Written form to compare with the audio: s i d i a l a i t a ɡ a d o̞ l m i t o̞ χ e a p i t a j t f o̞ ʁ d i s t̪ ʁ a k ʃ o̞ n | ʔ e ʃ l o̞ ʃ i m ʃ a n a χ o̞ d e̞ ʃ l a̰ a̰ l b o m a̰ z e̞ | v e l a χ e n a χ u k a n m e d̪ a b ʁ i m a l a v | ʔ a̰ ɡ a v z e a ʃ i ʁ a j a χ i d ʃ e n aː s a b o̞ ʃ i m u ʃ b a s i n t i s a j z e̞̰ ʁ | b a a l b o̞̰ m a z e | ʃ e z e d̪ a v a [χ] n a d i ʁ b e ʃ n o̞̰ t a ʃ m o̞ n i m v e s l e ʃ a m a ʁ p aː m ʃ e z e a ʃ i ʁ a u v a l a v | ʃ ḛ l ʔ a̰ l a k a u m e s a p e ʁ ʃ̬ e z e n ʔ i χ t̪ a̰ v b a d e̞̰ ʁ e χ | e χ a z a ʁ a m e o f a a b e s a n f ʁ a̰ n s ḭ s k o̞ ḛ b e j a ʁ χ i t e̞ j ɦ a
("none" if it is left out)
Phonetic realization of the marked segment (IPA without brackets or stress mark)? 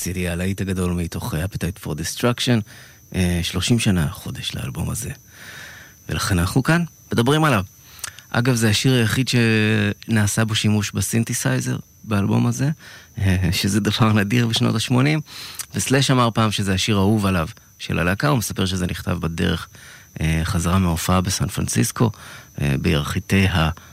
ʁ